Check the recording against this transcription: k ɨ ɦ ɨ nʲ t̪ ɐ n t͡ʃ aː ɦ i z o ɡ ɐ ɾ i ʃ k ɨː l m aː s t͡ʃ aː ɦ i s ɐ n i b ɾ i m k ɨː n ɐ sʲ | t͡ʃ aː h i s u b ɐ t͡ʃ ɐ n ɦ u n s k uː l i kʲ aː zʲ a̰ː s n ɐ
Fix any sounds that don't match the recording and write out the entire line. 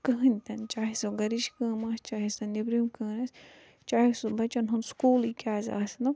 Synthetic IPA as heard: k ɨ ɦ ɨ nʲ t̪ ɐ n t͡ʃ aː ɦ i s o ɡ ɐ ɾ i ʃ k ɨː m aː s t͡ʃ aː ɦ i s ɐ n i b ɾ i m k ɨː n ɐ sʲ | t͡ʃ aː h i s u b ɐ t͡ʃ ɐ n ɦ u n s k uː l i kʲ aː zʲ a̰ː s n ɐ